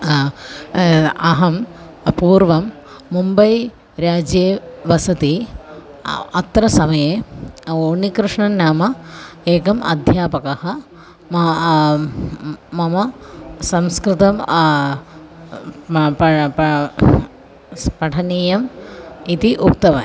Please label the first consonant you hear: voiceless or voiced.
voiced